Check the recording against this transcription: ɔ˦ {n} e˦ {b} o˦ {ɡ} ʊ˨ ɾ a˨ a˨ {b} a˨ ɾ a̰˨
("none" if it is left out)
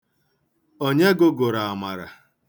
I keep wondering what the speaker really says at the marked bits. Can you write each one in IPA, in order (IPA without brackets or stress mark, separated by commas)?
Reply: ɲ, ɡ, ɡ, m